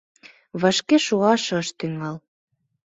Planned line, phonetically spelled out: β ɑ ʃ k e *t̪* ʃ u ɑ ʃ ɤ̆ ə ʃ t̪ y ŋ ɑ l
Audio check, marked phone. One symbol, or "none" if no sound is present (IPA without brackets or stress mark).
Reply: none